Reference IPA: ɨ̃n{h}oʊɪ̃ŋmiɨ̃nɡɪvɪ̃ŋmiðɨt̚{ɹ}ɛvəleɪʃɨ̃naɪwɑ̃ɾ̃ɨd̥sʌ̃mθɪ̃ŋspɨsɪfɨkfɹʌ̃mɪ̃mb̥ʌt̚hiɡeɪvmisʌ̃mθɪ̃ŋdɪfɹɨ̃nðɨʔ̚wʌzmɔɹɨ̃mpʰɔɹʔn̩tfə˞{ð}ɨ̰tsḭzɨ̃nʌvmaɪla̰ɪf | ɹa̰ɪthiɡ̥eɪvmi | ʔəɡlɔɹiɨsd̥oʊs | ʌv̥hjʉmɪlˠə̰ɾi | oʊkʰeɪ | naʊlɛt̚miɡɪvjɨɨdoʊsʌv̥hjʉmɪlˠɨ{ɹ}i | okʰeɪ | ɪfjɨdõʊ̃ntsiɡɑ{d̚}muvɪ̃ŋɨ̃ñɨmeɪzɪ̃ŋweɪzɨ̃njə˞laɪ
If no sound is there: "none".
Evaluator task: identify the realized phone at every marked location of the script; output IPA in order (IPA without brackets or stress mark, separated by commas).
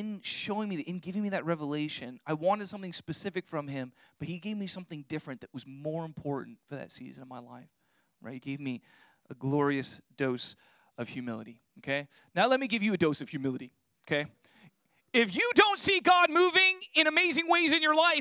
ʃ, ɹ, ð, ɾ, d̚